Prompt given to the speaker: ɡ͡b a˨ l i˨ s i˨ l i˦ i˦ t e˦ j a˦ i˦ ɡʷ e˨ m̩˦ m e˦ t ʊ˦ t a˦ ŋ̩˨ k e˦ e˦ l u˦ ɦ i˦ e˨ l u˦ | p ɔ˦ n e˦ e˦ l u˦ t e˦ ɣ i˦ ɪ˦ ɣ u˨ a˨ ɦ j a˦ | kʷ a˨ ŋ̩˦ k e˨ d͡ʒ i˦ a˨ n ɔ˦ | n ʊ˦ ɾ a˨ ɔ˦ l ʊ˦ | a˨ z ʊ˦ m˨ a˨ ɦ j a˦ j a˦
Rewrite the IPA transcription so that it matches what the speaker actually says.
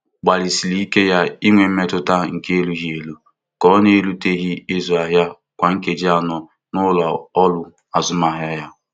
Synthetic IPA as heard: ɡ͡b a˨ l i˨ s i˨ l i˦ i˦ k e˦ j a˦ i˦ ŋʷ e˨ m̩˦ m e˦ t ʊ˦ t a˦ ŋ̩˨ k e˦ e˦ l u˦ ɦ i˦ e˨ l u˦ | k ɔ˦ n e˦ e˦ l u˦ t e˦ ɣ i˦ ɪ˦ z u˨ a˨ ɦ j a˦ | kʷ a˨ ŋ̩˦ k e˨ d͡ʒ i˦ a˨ n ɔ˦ | n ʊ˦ l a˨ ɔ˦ l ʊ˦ | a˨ z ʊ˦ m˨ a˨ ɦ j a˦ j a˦

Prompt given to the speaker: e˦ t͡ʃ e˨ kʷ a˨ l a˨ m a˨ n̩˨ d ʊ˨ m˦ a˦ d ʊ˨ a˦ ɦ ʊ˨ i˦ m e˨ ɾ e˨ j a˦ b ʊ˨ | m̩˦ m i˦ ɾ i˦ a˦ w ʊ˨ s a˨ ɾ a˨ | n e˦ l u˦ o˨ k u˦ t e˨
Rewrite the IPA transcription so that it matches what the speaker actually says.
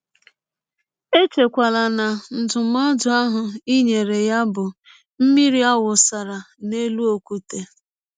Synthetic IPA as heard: e˦ t͡ʃ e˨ kʷ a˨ l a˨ n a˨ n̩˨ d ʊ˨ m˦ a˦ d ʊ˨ a˦ ɦ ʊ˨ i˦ ɲ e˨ ɾ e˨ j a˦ b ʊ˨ | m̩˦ m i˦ ɾ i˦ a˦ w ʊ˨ s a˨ ɾ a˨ | n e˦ l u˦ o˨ k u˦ t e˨

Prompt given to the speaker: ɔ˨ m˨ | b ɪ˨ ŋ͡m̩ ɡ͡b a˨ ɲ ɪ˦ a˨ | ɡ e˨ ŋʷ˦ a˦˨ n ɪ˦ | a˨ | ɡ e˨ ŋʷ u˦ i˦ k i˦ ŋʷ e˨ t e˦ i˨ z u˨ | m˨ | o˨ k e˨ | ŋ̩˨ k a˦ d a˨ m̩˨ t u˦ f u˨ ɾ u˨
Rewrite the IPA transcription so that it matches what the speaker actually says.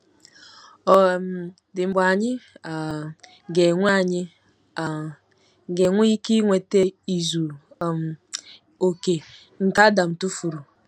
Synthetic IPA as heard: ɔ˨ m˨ | d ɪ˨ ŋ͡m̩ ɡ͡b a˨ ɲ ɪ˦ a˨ | ɡ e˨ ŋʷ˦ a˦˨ ɲ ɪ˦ | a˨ | ɡ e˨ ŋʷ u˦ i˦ k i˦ ŋʷ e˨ t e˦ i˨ z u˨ | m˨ | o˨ k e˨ | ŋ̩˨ k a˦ d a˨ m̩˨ t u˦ f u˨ ɾ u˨

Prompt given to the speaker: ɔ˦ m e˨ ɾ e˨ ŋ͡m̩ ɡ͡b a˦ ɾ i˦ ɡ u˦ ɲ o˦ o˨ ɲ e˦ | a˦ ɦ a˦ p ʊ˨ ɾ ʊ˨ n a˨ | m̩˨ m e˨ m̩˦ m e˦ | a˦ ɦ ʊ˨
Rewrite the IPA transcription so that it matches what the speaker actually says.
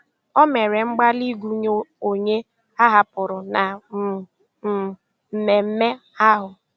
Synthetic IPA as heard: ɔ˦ m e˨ ɾ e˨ ŋ͡m̩ ɡ͡b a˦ l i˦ ɡ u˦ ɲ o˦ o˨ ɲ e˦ | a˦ ɦ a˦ p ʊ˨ ɾ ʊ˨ n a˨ | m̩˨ m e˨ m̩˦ m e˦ | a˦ ɦ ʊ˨

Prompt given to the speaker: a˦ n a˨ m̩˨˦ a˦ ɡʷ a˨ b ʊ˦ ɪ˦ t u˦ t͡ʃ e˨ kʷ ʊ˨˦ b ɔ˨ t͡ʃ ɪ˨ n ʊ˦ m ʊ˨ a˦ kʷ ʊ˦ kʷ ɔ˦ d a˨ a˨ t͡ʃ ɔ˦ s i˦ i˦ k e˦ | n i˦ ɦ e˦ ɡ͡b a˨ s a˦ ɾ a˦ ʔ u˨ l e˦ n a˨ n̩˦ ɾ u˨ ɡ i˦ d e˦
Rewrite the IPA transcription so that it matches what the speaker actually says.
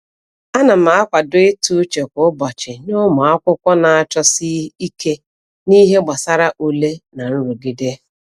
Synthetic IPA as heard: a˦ n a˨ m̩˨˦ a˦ kʷ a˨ d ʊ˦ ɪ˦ t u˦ t͡ʃ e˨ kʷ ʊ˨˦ b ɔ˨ t͡ʃ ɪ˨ n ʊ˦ m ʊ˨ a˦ kʷ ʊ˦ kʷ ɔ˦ n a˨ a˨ t͡ʃ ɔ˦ s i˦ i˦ k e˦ | n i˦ ɦ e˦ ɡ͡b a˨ s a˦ ɾ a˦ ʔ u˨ l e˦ n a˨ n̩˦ ɾ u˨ ɡ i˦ d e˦

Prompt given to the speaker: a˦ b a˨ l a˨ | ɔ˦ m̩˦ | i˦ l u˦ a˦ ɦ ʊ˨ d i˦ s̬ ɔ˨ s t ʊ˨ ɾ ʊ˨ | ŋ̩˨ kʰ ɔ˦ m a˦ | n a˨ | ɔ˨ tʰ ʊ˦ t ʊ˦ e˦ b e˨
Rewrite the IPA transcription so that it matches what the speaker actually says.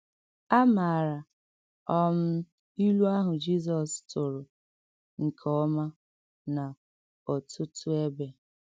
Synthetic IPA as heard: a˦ m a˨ ɾ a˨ | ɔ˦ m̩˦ | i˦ l u˦ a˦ ɦ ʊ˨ d͡ʒ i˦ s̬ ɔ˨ s t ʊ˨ ɾ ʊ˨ | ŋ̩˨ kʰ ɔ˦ m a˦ | n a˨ | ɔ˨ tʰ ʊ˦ t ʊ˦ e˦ b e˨

